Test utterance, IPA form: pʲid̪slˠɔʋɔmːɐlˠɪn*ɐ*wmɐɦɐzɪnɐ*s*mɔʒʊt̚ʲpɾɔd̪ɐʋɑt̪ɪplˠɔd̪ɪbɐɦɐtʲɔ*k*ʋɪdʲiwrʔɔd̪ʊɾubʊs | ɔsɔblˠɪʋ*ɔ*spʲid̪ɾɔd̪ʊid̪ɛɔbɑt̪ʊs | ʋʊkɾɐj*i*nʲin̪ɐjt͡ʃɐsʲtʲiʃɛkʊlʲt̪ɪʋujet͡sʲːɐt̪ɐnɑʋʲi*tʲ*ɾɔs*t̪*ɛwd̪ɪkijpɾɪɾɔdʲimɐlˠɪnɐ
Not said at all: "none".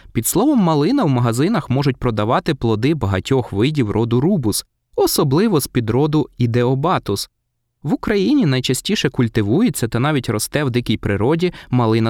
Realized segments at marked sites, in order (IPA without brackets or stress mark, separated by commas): ɐ, x, x, ɔ, i, tʲ, t̪